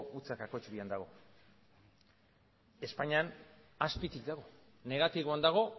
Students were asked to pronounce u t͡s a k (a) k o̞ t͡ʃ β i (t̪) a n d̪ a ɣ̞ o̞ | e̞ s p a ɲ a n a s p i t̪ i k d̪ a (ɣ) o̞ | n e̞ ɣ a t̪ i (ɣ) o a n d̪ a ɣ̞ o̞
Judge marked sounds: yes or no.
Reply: yes, no, yes, yes

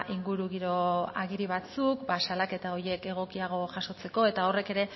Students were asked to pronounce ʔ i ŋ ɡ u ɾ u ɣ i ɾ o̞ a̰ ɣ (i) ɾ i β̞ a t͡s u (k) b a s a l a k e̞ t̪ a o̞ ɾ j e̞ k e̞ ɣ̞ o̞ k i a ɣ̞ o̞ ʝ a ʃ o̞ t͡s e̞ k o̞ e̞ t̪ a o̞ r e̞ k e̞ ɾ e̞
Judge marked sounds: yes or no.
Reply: yes, yes

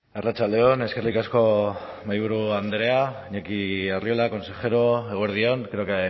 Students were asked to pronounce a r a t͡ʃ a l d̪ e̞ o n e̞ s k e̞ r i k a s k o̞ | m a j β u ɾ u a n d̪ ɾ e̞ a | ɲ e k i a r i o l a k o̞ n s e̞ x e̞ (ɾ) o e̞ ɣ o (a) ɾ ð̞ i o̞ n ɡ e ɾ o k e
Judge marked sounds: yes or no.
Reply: yes, no

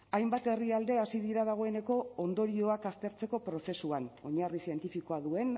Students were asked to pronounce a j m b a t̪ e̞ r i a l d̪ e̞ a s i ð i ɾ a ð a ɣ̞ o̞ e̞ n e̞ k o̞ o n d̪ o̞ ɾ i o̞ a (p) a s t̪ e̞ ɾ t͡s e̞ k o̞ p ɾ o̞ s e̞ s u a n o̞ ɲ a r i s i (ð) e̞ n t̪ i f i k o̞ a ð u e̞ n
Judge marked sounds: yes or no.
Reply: no, no

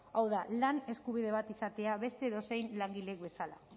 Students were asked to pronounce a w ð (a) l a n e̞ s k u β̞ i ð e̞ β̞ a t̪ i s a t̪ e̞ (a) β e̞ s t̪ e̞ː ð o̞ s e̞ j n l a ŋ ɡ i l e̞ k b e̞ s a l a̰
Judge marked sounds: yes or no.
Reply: yes, yes

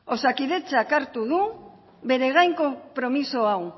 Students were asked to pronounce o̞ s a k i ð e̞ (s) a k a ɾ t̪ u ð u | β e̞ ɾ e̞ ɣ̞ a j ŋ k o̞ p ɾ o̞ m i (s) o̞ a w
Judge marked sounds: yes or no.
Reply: no, yes

